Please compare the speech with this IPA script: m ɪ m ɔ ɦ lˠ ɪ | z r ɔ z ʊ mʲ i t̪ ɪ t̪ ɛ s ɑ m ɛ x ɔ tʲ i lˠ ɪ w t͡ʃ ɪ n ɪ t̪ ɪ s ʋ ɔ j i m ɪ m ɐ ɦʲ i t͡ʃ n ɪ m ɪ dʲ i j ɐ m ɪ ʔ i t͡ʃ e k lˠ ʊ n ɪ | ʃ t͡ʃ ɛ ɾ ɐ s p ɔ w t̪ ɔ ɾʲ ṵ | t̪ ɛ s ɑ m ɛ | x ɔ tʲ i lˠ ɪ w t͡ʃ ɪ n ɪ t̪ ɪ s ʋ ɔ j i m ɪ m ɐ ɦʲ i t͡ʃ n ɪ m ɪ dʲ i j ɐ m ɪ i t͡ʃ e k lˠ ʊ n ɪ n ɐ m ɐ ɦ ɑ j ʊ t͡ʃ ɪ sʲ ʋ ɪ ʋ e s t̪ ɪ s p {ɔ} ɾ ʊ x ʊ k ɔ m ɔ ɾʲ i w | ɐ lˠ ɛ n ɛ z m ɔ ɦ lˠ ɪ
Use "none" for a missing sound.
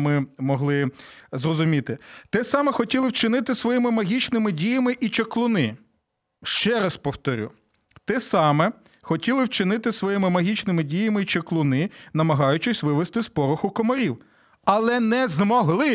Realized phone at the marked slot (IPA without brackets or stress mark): ɔ